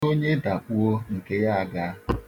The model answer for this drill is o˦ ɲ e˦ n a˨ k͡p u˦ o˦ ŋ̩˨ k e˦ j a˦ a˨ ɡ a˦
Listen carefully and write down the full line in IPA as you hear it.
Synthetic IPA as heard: o˦ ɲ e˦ d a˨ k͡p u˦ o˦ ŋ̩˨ k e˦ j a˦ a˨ ɡ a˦